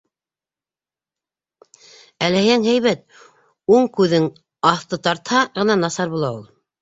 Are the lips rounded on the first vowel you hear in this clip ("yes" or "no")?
no